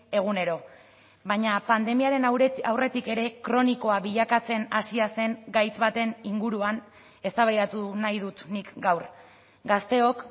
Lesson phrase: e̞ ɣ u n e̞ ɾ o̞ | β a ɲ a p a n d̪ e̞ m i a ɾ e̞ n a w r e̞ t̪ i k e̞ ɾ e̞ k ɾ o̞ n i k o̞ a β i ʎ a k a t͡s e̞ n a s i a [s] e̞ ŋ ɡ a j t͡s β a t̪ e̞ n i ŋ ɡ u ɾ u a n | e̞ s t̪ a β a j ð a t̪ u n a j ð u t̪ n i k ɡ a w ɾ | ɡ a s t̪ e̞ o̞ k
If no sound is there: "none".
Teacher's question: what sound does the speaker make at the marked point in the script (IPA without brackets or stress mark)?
s